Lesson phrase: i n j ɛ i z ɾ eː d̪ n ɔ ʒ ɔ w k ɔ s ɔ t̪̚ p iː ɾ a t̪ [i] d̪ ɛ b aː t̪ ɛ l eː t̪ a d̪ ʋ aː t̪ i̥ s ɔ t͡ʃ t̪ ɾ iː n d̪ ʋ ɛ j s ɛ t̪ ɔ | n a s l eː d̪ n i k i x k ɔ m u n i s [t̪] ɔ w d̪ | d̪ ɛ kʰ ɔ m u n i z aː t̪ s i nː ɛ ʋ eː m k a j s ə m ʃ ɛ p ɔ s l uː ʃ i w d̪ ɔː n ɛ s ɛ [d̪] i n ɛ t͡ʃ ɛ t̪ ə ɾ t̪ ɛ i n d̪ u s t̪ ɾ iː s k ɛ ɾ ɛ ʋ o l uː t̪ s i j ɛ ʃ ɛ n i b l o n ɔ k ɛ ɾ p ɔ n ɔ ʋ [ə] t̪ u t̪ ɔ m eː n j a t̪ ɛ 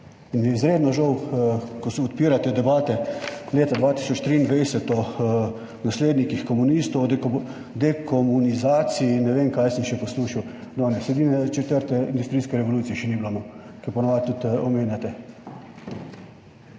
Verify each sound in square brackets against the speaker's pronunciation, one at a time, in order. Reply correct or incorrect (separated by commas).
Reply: incorrect, correct, correct, incorrect